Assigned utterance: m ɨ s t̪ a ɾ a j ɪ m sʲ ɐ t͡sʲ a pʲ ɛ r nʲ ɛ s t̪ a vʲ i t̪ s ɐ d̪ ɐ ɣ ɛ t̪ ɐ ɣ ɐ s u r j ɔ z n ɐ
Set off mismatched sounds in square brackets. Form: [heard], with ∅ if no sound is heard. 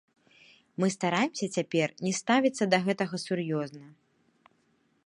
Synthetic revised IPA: m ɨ s t̪ a ɾ a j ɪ m sʲ ɐ t͡sʲ a pʲ ɛ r nʲ ɛ s t̪ a vʲ i t̪ [sː] ɐ d̪ ɐ ɣ ɛ t̪ ɐ ɣ ɐ s u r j ɔ z n ɐ